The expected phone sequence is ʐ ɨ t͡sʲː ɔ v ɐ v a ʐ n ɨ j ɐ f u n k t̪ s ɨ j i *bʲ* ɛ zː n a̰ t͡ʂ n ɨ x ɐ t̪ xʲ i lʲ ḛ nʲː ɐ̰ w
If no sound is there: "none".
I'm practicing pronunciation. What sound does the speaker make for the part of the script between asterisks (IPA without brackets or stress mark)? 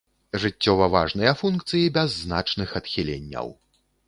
bʲ